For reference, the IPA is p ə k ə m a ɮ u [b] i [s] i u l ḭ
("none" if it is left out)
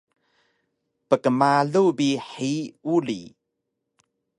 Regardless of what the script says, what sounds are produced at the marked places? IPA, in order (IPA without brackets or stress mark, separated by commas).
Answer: b, ħ